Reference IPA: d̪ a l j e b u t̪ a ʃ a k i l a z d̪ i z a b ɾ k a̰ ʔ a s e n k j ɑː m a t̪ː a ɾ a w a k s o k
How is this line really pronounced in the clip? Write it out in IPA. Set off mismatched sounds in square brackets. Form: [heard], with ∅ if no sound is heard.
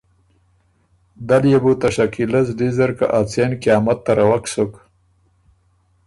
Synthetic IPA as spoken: d̪ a l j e b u t̪ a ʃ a k i l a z d̪ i z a [∅] ɾ k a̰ ʔ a [t͡s] e n k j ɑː m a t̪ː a ɾ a w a k s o k